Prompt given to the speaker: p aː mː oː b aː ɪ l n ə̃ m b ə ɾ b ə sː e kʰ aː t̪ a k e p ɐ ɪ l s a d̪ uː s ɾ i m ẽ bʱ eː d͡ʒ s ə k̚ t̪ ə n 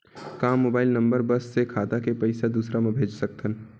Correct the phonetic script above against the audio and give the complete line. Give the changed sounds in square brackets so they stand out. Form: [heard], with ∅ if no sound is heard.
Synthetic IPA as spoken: [k] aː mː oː b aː ɪ l n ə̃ m b ə ɾ b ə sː e kʰ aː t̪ a k e p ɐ ɪ [∅] s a d̪ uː s ɾ [a] m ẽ bʱ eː d͡ʒ s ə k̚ t̪ ə n